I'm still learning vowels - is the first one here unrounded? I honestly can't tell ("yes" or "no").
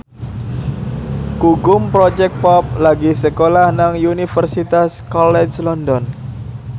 no